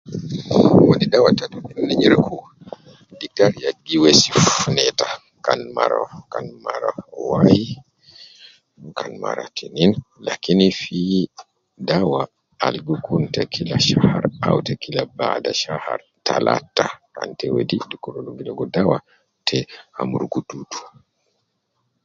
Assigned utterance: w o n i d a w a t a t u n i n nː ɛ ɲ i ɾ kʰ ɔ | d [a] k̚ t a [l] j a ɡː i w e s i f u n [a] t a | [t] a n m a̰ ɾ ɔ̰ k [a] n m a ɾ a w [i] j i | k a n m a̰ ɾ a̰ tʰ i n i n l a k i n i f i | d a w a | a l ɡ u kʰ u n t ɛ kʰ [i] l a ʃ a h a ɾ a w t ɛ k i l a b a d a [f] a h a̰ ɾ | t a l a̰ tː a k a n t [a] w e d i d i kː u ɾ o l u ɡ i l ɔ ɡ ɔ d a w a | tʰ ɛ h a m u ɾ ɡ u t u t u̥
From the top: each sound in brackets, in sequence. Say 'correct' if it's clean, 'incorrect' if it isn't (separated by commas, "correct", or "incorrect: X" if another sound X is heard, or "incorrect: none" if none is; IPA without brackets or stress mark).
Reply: incorrect: i, incorrect: ɾ, incorrect: ɛ, incorrect: k, correct, incorrect: a, correct, incorrect: ʃ, incorrect: ɛ